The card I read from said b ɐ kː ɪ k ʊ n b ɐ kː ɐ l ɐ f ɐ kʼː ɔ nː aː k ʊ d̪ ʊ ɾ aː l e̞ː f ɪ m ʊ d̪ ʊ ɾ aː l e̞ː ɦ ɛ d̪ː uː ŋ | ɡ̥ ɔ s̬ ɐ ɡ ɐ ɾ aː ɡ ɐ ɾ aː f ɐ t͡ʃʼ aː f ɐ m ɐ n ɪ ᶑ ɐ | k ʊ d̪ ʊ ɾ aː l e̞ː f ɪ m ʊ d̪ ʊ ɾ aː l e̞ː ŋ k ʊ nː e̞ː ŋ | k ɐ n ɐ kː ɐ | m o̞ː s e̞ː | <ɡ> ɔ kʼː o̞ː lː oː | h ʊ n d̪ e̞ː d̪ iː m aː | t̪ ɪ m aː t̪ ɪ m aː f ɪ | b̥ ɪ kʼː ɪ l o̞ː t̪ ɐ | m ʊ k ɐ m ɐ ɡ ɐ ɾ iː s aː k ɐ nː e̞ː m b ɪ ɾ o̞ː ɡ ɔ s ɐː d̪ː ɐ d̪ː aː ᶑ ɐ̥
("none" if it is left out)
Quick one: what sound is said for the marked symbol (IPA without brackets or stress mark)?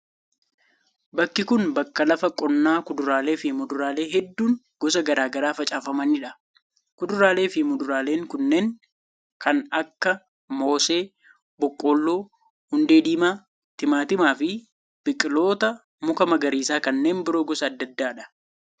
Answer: b